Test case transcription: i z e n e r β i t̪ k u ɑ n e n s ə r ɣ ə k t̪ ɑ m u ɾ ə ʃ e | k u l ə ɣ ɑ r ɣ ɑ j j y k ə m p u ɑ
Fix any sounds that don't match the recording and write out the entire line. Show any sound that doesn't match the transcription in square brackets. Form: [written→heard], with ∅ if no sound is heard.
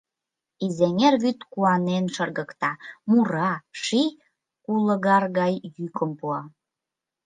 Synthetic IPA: i z e [n→ŋ] e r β [i→y] t̪ k u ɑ n e n [s→ʃ] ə r ɣ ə k t̪ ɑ m u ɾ [ə→ɑ] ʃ [e→i] | k u l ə ɣ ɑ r ɣ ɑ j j y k ə m p u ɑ